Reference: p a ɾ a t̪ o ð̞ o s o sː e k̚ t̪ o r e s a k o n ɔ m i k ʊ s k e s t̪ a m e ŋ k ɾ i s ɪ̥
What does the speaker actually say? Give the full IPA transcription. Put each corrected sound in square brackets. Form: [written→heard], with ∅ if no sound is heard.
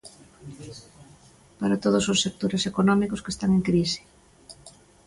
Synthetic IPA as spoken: p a ɾ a t̪ o ð̞ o s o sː e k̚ t̪ o [r→ɾ] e s [a→e] k o n ɔ m i k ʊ s k e s t̪ a [m→ŋ] e ŋ k ɾ i s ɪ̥